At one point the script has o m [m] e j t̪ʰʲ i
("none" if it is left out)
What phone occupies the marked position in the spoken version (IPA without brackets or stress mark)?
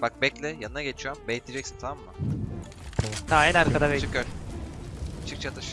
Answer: b